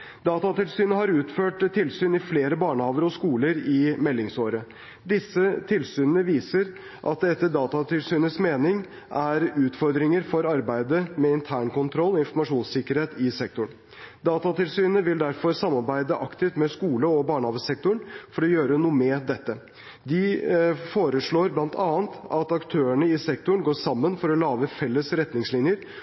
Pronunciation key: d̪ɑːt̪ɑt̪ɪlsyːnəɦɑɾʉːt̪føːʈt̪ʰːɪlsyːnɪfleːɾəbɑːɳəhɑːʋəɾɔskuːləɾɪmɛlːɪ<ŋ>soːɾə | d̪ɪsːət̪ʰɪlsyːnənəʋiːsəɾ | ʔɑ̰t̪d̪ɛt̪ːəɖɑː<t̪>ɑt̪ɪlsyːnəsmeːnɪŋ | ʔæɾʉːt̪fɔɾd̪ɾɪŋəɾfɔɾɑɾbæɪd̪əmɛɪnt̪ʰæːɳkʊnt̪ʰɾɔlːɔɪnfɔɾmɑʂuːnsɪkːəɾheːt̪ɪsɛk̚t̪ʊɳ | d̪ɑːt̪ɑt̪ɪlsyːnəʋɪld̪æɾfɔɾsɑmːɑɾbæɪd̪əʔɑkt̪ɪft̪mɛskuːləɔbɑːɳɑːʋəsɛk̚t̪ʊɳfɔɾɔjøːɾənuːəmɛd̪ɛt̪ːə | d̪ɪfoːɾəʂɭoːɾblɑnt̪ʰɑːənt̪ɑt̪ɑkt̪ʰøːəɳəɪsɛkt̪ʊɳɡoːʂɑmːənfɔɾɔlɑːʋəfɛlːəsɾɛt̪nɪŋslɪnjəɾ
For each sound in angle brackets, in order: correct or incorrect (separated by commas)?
correct, correct